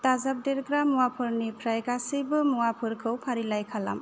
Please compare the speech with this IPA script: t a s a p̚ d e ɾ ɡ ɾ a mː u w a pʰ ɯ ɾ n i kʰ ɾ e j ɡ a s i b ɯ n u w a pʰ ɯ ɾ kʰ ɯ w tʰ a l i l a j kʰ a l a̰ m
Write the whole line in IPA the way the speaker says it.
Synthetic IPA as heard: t a z a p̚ d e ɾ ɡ ɾ a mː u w a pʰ ɯ ɾ n i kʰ ɾ a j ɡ a s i b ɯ m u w a pʰ ɯ ɾ kʰ ɯ w pʰ a ɾ i l a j kʰ a l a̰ m